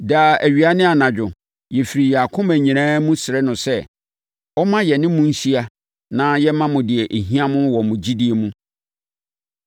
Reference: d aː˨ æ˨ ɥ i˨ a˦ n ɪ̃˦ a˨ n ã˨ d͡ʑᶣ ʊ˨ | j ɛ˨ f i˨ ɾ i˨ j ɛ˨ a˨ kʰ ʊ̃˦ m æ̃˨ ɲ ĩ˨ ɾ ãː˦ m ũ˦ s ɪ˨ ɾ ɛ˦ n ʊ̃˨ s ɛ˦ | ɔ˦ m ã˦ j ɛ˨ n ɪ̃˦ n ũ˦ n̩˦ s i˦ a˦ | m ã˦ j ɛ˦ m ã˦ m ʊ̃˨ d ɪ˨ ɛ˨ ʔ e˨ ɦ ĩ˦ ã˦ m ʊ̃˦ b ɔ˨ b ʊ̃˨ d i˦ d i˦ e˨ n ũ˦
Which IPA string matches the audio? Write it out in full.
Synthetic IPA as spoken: d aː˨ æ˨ ɥ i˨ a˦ n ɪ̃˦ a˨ n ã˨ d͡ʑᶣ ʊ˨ | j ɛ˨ f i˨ ɾ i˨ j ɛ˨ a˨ kʰ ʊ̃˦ m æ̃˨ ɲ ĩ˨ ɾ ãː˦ m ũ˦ s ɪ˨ ɾ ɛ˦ n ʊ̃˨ s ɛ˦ | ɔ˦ m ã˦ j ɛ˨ n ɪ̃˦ m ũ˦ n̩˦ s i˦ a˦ | n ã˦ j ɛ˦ m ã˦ m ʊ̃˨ d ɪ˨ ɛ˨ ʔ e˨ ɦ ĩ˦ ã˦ m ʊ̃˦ w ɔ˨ m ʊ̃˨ d͡ʑ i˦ d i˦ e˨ m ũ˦